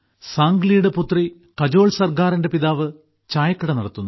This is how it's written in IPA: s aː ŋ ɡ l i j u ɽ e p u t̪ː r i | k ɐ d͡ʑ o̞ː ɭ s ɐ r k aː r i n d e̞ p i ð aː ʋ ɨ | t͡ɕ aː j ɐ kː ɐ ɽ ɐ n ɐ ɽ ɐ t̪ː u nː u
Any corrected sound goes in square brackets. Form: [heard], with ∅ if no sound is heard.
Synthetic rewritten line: s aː ŋ ɡ l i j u ɽ e p u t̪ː r i | k ɐ d͡ʑ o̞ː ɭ s ɐ r k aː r i n d e̞ p i ð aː ʋ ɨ | t͡ɕ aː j ɐ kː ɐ ɽ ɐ n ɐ ɽ ɐ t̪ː u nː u